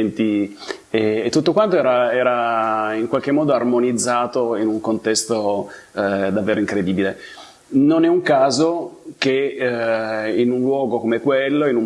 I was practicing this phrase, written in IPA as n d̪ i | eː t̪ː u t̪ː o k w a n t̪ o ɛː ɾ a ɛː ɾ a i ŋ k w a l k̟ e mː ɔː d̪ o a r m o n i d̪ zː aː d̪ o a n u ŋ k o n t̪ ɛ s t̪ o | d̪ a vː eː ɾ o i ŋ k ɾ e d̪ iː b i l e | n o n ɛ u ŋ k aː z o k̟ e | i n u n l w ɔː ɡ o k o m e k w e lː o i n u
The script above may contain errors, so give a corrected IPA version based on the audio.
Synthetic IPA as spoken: n t̪ i | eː t̪ː u t̪ː o k w a n t̪ o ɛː ɾ a ɛː ɾ a i ŋ k w a l k̟ e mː ɔː d̪ o a r m o n i d̪ zː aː t̪ o i n u ŋ k o n t̪ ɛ s t̪ o | d̪ a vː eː ɾ o i ŋ k ɾ e d̪ iː b i l e | n o n ɛ u ŋ k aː z o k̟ e | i n u n l w ɔː ɡ o k o m e k w e lː o i n u